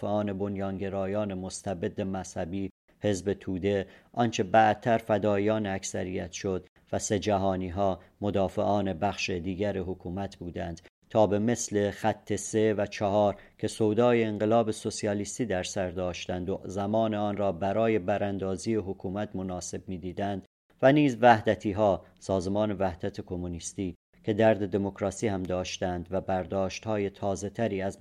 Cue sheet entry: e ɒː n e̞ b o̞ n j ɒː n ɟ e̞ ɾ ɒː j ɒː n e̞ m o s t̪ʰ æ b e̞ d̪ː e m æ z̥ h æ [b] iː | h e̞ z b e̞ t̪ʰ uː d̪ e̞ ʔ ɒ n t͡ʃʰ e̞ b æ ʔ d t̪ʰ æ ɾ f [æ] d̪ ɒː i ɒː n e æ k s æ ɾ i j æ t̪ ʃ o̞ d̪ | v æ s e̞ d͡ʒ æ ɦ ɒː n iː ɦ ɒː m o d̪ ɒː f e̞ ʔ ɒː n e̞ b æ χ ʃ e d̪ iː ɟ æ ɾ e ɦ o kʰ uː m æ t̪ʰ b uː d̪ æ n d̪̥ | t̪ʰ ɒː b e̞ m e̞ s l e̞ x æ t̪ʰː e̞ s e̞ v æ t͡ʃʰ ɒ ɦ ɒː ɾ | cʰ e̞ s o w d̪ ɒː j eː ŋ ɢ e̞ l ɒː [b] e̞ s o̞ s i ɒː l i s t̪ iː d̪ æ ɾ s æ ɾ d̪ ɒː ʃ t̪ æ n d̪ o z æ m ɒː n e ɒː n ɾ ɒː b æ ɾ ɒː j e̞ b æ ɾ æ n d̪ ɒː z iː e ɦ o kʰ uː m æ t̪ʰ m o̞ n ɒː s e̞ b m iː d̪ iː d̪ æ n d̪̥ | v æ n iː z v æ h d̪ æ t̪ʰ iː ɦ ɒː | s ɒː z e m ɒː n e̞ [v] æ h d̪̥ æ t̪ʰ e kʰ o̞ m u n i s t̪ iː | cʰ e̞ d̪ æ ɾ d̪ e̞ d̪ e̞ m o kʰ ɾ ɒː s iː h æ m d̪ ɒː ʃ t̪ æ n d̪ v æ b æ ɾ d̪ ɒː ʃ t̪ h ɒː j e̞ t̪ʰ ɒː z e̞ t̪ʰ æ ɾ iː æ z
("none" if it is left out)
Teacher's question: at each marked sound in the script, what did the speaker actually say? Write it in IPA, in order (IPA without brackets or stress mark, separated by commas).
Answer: b, æ, b, v